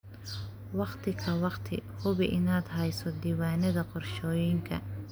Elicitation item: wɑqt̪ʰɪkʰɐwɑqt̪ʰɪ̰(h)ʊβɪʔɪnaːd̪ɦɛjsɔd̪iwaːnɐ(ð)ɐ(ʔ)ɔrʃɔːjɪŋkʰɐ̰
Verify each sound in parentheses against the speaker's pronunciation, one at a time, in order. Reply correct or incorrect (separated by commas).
correct, correct, incorrect